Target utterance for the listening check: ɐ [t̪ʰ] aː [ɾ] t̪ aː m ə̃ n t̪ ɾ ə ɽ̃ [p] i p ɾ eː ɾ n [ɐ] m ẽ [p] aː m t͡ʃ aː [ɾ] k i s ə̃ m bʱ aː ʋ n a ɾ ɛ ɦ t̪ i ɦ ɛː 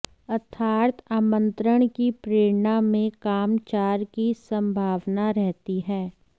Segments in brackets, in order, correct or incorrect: correct, correct, incorrect: k, incorrect: a, incorrect: k, correct

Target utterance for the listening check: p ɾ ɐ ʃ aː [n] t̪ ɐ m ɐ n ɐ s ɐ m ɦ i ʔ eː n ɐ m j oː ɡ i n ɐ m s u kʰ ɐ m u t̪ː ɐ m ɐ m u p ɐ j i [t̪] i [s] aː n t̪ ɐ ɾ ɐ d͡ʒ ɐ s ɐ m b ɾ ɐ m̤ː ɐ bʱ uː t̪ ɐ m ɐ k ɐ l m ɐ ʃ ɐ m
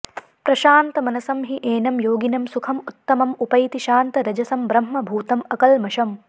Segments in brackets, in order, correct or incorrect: correct, correct, incorrect: ʃ

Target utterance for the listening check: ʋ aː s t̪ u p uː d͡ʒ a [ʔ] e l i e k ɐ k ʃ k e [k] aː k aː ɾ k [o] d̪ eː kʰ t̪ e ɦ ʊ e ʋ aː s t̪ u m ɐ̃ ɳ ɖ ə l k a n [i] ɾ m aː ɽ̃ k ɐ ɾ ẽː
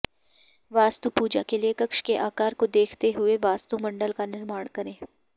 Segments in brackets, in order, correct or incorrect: incorrect: k, incorrect: ʔ, correct, incorrect: ɪ

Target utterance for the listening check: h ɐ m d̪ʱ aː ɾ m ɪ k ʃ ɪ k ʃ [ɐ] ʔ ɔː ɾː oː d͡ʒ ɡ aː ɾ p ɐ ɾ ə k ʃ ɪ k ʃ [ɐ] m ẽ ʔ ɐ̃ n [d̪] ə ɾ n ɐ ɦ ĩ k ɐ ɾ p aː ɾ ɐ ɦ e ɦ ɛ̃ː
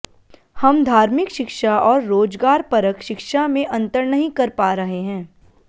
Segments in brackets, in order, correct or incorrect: incorrect: a, incorrect: a, incorrect: t̪

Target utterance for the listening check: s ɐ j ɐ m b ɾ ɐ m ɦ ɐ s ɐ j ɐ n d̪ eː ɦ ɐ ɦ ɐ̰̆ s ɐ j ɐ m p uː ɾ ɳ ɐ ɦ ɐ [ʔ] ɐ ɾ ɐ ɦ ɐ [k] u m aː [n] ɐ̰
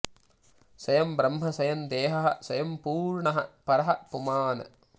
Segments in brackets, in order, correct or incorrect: incorrect: p, incorrect: p, correct

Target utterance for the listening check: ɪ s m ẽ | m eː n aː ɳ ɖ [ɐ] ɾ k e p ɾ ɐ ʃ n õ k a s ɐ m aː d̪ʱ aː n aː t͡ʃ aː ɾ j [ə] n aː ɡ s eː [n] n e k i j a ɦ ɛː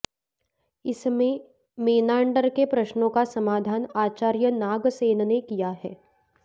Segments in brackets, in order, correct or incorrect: incorrect: ə, correct, correct

